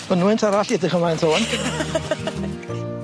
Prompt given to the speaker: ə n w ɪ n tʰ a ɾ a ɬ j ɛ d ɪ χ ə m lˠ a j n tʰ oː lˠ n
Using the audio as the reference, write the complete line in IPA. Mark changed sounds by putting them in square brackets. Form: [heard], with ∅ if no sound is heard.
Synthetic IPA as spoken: ə n w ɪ n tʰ a ɾ a ɬ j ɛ d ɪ χ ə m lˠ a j n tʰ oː [∅] n